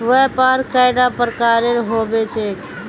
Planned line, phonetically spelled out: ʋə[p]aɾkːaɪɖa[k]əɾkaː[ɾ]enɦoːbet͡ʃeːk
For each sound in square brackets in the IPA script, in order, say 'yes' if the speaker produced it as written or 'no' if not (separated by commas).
yes, no, yes